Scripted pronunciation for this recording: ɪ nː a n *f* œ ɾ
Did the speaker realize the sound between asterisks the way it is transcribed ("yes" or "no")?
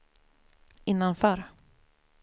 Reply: yes